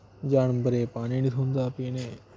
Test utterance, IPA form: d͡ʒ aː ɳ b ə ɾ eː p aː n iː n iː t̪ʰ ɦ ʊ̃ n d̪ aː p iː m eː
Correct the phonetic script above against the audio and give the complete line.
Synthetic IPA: d͡ʒ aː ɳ b ə ɾ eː p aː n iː n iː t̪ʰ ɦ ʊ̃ n d̪ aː p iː n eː